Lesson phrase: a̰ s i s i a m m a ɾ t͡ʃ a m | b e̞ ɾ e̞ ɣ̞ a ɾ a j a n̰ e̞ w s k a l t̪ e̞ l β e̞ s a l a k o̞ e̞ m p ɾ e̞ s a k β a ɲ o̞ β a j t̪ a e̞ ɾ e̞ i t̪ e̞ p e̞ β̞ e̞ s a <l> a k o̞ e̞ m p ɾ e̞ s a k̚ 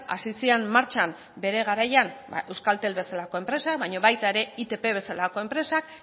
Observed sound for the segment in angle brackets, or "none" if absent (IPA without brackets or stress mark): l